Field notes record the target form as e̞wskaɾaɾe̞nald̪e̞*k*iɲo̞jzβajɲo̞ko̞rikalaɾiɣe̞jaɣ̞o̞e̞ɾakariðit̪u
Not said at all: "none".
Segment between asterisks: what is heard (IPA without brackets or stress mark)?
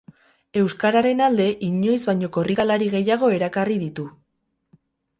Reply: ʔ